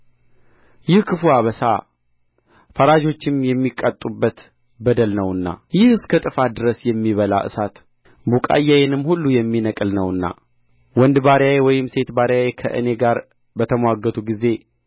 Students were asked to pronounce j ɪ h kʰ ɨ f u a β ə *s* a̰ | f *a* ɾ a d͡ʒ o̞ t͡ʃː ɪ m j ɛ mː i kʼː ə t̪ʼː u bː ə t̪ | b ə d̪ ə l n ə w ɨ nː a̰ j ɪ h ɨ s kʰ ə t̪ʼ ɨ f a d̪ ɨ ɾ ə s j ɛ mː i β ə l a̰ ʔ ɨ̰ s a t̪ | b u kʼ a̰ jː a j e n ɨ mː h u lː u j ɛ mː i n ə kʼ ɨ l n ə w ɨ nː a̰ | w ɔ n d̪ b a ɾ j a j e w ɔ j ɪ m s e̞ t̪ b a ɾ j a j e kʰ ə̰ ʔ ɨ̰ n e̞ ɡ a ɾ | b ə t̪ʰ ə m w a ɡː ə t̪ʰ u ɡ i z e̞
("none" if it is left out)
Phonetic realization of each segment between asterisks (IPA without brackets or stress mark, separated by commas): s, ə